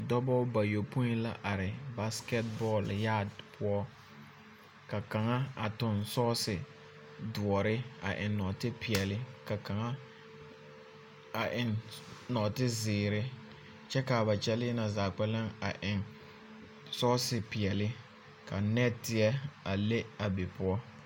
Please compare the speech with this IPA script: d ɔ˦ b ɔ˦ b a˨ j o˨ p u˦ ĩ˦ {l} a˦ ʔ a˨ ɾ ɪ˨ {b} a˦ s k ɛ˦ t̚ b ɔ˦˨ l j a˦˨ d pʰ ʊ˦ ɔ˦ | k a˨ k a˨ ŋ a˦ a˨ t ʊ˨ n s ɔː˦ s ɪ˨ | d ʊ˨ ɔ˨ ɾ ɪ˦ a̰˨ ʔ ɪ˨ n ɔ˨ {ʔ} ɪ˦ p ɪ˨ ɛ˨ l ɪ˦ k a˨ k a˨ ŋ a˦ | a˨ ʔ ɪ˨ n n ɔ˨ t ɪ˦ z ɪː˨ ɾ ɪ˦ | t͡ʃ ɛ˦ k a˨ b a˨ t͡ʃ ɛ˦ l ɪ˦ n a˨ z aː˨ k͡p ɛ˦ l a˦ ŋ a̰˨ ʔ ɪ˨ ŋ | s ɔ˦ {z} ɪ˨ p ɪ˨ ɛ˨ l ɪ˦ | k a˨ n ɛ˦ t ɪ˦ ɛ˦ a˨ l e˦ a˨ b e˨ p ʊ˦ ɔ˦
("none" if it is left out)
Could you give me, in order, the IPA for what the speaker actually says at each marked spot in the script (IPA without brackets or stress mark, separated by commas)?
l, b, t, s